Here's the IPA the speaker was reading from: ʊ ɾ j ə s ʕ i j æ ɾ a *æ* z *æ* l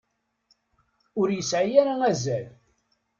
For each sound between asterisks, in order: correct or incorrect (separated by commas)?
correct, correct